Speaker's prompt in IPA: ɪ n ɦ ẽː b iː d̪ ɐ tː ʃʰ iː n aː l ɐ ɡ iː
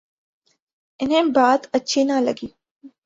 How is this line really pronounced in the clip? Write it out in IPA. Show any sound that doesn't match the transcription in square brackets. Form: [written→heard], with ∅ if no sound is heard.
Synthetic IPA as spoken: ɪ n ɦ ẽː b [iː→aː] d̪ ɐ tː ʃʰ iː n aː l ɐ ɡ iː